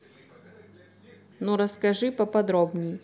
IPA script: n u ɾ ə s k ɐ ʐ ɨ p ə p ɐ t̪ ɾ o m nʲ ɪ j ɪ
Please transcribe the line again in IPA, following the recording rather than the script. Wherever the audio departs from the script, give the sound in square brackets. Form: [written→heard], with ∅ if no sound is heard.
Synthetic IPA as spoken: n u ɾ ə s k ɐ ʐ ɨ p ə p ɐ [t̪→d̪] ɾ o [m→b] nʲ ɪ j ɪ